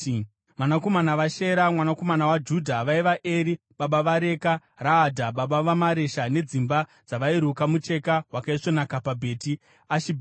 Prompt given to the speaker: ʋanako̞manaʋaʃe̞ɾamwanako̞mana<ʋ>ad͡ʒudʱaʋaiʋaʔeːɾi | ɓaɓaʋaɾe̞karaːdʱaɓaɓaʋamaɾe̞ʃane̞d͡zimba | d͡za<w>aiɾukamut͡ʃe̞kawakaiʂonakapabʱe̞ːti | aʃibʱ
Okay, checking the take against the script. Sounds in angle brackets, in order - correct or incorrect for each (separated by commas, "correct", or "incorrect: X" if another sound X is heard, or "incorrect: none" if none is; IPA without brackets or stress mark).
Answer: incorrect: w, incorrect: ʋ